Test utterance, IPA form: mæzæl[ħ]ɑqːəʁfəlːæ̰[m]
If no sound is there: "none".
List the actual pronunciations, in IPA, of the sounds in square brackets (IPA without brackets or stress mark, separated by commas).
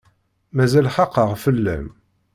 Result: ħ, m